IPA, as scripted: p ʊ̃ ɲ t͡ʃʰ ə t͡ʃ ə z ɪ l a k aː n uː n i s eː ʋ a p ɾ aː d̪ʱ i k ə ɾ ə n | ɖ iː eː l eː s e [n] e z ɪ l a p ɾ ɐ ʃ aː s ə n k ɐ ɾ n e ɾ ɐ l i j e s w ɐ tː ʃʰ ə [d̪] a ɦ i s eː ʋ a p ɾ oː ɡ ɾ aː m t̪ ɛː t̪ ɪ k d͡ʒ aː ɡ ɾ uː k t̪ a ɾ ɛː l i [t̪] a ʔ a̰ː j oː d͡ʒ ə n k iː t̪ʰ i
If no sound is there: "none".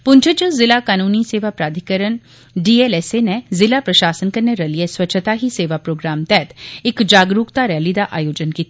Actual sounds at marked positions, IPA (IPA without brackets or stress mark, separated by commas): n, t̪, d̪